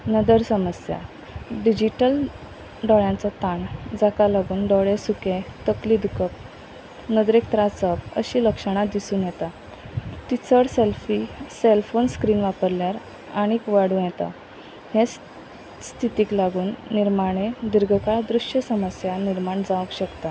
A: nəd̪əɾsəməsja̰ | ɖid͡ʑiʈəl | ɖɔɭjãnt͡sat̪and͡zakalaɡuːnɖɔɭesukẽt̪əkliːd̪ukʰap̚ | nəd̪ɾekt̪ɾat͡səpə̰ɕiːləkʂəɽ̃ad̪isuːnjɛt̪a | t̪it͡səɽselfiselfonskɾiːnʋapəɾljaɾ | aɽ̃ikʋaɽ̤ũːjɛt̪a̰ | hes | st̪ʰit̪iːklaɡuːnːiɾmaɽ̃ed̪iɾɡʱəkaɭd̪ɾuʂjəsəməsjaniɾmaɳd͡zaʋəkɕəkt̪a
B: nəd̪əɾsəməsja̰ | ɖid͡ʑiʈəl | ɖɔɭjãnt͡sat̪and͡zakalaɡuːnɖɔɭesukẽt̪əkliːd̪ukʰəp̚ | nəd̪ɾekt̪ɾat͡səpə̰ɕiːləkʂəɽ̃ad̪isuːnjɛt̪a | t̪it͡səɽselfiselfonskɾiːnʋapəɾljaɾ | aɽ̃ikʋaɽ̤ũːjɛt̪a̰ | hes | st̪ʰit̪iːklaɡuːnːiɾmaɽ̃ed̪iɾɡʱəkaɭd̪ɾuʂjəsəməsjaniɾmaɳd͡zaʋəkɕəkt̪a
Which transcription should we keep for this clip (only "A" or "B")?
B